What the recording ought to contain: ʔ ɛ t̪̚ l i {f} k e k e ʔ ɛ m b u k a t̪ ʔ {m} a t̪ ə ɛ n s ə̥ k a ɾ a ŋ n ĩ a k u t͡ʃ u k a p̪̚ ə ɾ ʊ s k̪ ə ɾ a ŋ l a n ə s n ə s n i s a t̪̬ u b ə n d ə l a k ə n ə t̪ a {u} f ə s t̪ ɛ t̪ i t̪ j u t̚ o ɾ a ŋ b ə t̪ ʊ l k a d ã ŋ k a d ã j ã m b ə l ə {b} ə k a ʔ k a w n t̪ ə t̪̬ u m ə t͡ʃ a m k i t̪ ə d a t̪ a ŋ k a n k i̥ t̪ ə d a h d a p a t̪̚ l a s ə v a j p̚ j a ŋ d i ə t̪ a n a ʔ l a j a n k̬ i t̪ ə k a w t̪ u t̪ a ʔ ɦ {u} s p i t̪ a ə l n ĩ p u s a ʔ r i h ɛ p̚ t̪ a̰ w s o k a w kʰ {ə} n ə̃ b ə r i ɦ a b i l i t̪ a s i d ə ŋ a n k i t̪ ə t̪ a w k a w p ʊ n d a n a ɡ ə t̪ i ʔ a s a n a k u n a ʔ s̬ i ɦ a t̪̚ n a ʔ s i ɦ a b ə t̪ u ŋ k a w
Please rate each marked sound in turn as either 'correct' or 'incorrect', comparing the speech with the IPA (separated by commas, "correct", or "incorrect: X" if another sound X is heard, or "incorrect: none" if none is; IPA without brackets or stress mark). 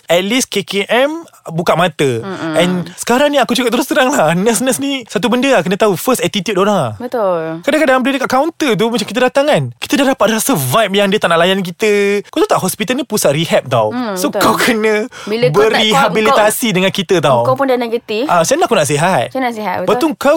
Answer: incorrect: s, correct, correct, incorrect: d, incorrect: ɔ, correct